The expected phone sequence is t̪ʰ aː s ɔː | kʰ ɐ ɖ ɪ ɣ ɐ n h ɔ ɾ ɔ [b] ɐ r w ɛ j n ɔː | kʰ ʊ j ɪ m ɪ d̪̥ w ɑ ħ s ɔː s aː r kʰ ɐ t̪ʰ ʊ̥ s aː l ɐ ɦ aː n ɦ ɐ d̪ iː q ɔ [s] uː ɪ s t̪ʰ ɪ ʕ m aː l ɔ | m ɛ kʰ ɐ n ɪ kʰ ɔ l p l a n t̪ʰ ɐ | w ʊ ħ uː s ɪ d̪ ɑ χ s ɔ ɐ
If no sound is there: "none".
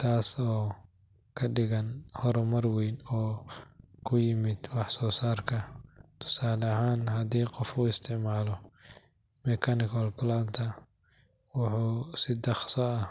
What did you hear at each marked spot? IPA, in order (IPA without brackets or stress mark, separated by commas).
m, f